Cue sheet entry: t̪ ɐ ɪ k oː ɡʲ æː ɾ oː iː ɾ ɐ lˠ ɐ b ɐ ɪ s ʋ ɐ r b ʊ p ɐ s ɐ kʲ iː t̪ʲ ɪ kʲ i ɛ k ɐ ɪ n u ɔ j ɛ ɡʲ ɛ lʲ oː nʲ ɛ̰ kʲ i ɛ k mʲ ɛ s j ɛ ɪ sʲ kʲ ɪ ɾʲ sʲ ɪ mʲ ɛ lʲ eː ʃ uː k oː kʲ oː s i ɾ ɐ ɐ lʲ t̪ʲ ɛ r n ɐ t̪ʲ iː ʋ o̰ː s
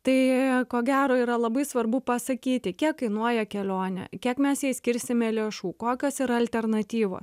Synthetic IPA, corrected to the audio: t̪ ɐ ɪ k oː ɡʲ æː ɾ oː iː ɾ ɐ lˠ ɐ b ɐ ɪ s ʋ ɐ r b ʊ p ɐ s ɐ kʲ iː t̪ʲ ɪ kʲ i ɛ k ɐ ɪ n u ɔ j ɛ kʲ ɛ lʲ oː nʲ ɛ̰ kʲ i ɛ k mʲ ɛ s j ɛ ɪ sʲ kʲ ɪ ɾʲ sʲ ɪ mʲ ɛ lʲ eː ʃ uː k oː kʲ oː s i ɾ ɐ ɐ lʲ t̪ʲ ɛ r n ɐ t̪ʲ iː ʋ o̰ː s